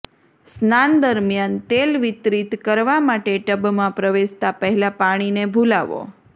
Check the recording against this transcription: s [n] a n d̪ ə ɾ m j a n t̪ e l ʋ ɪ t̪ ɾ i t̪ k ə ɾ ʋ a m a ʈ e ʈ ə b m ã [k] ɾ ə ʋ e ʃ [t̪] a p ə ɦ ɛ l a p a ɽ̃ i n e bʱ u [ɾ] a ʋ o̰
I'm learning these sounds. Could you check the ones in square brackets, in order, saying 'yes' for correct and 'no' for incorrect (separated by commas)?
yes, no, yes, no